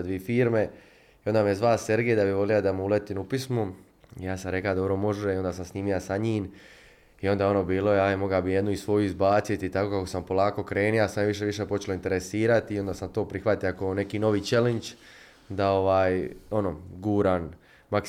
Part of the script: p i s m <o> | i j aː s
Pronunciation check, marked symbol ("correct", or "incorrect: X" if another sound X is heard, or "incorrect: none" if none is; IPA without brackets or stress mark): incorrect: u